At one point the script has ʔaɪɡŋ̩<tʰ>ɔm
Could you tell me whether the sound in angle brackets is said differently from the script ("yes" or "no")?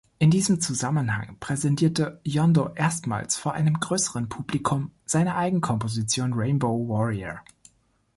yes